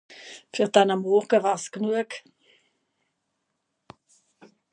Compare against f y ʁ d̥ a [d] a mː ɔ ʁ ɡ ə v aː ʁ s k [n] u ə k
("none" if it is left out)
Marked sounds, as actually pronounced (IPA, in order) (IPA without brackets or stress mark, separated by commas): n, n